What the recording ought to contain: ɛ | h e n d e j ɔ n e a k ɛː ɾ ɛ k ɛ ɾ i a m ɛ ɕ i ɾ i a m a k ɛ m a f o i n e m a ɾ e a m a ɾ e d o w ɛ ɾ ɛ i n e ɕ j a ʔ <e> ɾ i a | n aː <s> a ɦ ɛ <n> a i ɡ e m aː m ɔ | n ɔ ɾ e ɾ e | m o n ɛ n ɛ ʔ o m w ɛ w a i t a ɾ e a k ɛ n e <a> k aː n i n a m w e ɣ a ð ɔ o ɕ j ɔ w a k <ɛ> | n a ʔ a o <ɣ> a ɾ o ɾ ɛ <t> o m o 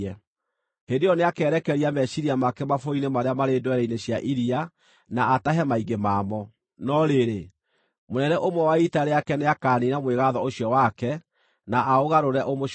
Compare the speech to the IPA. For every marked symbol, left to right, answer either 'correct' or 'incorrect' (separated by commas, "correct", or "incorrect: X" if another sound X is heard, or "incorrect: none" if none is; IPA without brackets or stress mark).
incorrect: i, incorrect: t, incorrect: m, correct, correct, correct, incorrect: ʔ